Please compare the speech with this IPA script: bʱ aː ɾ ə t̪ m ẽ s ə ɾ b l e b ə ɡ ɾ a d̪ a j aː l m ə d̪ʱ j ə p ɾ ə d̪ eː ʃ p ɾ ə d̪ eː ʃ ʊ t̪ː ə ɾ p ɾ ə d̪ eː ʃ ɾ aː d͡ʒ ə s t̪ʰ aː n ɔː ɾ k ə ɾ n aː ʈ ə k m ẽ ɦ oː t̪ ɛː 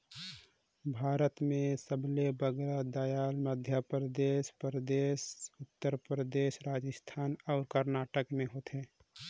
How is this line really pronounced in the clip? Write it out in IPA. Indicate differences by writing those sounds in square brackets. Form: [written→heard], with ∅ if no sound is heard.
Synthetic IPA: bʱ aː ɾ ə t̪ m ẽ s ə [ɾ→∅] b l e b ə ɡ ɾ a d̪ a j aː l m ə d̪ʱ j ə p ɾ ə d̪ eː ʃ p ɾ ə d̪ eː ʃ ʊ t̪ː ə ɾ p ɾ ə d̪ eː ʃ ɾ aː d͡ʒ ə s t̪ʰ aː n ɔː ɾ k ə ɾ n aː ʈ ə k m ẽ ɦ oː t̪ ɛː